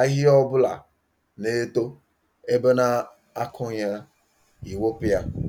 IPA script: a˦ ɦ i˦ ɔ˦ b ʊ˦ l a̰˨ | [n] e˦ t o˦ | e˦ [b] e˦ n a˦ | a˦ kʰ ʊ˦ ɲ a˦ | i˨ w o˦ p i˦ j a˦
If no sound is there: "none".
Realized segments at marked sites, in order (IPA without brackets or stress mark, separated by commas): n, b